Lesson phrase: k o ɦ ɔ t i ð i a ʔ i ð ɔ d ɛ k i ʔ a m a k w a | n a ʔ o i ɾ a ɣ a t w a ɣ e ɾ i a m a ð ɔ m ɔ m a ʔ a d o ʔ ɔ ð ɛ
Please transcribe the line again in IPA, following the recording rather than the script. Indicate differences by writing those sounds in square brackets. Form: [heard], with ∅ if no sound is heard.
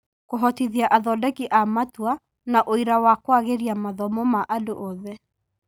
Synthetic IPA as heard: k o ɦ ɔ t i ð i a ʔ [a] ð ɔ d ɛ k i ʔ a m a [t] w a | n a ʔ o i ɾ a [w] a [k] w a ɣ e ɾ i a m a ð ɔ m ɔ m a ʔ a d o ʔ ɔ ð ɛ